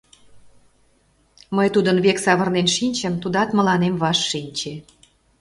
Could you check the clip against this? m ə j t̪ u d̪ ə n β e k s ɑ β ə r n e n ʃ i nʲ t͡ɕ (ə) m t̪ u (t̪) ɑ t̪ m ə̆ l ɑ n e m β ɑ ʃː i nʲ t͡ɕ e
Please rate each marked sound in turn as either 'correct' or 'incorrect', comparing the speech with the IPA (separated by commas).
correct, incorrect